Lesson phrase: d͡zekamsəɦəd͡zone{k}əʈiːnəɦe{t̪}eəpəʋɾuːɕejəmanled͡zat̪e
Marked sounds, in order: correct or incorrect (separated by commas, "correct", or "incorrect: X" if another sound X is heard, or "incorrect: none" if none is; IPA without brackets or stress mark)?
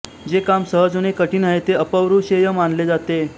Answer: correct, correct